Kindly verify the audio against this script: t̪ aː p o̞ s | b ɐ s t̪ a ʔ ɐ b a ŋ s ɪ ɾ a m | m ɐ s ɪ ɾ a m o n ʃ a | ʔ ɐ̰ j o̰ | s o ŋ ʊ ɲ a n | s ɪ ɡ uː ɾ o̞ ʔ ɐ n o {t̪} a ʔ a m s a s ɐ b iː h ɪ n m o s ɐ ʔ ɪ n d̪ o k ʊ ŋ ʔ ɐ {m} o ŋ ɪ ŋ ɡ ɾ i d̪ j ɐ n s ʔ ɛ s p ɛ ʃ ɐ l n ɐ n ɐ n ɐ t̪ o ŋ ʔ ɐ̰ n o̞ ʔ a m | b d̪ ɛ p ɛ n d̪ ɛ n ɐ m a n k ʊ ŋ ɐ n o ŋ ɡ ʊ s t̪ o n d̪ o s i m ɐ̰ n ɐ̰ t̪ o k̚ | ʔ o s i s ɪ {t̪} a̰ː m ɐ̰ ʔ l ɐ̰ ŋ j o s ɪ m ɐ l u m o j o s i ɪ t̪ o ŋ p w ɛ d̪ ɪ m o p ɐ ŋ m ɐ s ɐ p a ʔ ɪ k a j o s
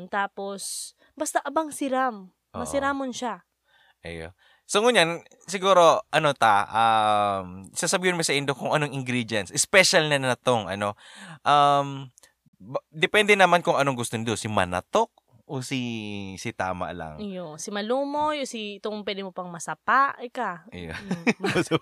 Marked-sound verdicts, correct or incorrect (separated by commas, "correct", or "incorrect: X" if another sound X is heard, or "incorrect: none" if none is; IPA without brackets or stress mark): correct, incorrect: n, correct